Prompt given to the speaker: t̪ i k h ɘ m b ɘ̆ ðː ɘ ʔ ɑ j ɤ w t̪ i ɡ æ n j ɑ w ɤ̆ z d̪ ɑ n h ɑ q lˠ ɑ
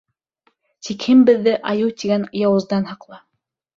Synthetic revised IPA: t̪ i k h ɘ m b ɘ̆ ðː ɘ ʔ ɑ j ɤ w t̪ i ɡ æ n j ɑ w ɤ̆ z d̪ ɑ n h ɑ q lˠ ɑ